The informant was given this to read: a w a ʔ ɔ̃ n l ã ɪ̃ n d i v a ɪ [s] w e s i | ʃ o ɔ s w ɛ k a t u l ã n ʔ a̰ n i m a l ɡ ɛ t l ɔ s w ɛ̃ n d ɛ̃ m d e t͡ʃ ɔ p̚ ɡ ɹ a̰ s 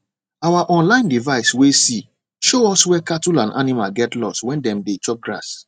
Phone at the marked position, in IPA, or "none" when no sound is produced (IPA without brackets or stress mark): s